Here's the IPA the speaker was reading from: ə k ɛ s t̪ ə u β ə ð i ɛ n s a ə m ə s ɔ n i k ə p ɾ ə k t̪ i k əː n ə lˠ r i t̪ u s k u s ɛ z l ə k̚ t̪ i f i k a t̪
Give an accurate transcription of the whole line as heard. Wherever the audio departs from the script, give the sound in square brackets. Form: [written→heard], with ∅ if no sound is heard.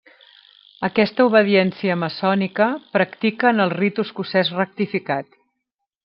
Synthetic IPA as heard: ə k ɛ s t̪ ə u β ə ð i ɛ n s [a→i] ə m ə s ɔ n i k ə p ɾ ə k t̪ i k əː n ə lˠ r i t̪ u s k u s ɛ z [l→r] ə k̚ t̪ i f i k a t̪